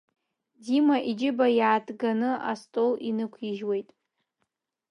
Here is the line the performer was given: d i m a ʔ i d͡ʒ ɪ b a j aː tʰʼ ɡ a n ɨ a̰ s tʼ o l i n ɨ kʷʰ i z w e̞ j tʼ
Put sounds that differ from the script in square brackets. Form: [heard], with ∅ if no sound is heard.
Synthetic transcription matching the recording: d i m a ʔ i d͡ʒ ɪ b a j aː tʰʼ ɡ a n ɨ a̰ s tʼ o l i n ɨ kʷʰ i [ʒ] w e̞ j tʼ